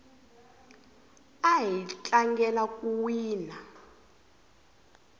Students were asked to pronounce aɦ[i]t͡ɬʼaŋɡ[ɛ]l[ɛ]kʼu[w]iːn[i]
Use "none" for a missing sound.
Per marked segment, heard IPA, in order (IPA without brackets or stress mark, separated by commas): i, ɛ, a, w, a